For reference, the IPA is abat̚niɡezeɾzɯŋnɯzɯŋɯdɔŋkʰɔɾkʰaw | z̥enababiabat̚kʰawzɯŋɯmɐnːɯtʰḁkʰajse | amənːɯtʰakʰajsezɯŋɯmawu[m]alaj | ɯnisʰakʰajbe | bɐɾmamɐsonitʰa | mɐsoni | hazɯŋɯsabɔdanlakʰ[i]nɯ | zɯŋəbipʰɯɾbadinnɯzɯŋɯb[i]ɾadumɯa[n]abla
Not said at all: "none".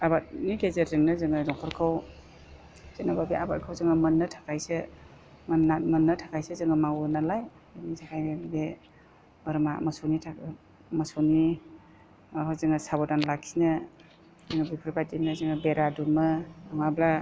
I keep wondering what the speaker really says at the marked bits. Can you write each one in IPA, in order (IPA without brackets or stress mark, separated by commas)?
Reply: n, i, e, ŋ